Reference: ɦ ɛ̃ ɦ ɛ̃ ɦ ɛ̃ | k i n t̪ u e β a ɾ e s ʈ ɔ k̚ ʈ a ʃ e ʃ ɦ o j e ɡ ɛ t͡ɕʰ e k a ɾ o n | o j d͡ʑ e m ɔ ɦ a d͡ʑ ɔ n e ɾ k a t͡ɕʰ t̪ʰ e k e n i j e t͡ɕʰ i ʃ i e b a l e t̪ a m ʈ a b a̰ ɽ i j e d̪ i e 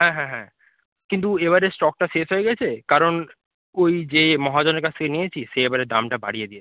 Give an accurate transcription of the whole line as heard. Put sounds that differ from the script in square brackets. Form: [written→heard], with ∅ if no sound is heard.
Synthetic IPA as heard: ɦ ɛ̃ ɦ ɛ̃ ɦ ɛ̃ | k i n t̪ u e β a ɾ e s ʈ ɔ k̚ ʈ a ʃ e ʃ ɦ o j e ɡ ɛ t͡ɕʰ e k a ɾ o n | o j d͡ʑ e m ɔ ɦ a d͡ʑ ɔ n e ɾ k a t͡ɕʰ t̪ʰ e k e n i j e t͡ɕʰ i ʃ [i→e] e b a [l→ɾ] e [t̪→d̪] a m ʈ a b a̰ ɽ i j e d̪ i e